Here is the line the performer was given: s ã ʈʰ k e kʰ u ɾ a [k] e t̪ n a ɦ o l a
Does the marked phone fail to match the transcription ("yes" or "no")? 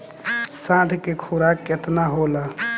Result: no